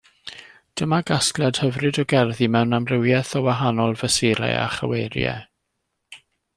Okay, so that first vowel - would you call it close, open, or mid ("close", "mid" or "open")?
mid